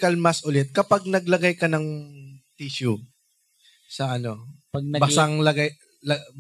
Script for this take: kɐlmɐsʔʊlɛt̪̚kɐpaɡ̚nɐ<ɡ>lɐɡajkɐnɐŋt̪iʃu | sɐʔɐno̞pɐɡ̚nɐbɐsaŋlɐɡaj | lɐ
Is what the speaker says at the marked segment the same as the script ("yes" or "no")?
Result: yes